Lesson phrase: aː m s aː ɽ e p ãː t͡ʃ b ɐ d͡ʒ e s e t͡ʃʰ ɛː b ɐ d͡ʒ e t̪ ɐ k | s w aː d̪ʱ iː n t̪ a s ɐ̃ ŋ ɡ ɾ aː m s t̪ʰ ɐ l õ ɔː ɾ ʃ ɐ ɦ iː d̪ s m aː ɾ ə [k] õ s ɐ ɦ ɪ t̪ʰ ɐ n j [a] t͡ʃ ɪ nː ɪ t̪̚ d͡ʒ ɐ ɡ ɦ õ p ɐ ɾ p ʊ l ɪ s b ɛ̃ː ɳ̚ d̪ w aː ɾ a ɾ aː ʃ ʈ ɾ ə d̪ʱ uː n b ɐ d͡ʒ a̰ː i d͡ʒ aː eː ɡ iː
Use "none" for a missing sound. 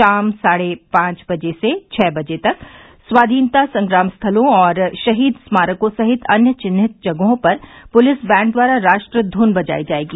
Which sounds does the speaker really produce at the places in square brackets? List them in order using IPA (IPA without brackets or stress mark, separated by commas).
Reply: k, ə